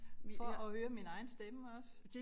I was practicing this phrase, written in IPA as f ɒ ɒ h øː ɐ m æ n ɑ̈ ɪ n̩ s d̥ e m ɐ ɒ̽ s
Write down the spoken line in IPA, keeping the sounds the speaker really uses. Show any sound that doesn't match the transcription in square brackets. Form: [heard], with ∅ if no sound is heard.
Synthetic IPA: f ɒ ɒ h øː ɐ m [i] n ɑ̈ ɪ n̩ s d̥ e m [ə] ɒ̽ s